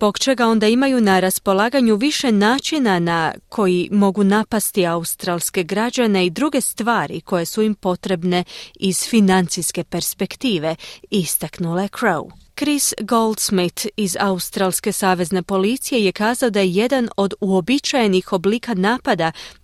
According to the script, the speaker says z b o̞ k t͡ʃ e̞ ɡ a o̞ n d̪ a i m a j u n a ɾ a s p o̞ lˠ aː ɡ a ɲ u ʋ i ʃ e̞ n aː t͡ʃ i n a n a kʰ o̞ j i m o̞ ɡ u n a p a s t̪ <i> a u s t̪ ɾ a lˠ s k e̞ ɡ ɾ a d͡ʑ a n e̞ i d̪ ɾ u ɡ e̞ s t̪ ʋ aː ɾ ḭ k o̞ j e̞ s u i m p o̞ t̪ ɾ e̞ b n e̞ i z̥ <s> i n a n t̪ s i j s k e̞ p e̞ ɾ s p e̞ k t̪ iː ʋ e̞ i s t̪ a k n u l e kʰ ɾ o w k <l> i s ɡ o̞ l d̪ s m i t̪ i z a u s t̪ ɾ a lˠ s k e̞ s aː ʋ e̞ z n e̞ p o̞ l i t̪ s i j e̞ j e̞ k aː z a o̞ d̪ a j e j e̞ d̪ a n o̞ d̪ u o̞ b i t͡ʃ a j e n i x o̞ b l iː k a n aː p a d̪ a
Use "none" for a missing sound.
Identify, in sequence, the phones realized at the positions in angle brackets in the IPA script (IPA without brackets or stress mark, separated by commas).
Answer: i, f, ɾ